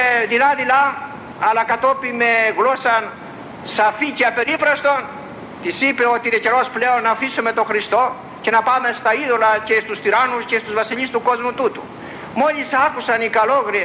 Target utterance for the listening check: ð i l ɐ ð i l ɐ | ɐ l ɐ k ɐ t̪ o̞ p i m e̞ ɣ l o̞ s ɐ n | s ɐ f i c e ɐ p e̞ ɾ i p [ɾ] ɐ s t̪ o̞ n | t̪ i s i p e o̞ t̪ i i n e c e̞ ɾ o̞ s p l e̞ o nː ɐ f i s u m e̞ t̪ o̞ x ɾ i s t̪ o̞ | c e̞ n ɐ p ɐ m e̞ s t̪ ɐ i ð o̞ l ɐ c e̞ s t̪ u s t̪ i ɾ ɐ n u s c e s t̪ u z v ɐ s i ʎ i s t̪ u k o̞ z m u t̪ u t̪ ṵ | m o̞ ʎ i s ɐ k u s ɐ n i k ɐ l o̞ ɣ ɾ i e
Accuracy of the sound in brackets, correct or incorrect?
correct